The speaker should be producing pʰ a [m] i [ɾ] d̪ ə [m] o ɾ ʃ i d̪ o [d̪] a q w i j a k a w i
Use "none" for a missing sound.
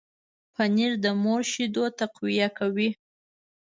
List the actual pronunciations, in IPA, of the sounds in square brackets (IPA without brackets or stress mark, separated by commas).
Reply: n, ɾ, m, t̪